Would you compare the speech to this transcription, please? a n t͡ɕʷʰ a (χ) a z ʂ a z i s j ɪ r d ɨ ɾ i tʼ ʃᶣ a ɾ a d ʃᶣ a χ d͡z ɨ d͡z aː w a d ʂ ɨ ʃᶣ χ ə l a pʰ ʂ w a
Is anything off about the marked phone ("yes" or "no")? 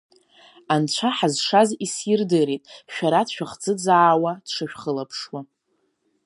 yes